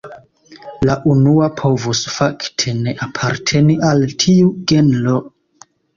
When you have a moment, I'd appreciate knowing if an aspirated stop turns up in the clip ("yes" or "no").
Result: yes